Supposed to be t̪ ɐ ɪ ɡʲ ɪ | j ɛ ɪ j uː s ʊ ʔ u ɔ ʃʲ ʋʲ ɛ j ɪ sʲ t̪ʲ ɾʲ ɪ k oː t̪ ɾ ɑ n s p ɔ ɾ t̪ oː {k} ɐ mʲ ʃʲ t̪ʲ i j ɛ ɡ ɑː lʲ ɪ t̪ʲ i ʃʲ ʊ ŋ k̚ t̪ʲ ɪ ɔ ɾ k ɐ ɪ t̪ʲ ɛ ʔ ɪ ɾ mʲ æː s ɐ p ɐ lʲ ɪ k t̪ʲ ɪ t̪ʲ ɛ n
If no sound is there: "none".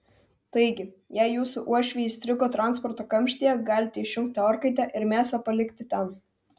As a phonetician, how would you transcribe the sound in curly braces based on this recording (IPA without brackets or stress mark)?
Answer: k